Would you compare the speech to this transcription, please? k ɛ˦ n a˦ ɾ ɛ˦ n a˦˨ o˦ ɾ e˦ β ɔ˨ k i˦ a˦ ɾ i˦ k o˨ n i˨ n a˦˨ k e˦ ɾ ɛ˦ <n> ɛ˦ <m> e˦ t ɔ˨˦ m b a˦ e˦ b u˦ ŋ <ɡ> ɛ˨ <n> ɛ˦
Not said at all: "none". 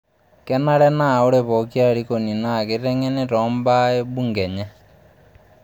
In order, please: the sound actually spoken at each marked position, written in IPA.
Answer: ŋ, n, ɡ, ɲ

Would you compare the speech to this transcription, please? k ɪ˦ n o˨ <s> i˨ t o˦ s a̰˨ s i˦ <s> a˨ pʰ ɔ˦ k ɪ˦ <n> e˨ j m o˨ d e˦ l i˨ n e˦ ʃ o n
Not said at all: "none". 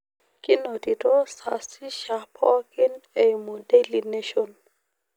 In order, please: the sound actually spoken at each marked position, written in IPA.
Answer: t, ʃ, n

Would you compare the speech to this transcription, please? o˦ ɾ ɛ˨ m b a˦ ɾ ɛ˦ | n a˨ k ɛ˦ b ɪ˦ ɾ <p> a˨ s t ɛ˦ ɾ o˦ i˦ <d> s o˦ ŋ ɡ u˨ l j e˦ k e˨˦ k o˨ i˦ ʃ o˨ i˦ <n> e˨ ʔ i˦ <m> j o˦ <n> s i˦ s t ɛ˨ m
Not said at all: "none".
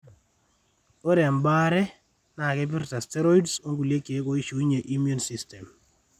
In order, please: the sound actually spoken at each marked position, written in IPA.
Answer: t, d, ɲ, m, n

